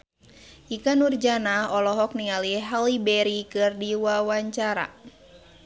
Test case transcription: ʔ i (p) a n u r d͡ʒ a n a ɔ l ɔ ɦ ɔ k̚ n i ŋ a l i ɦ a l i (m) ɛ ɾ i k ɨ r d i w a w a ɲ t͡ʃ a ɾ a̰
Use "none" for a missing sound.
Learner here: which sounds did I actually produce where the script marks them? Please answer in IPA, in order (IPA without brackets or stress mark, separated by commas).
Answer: k, b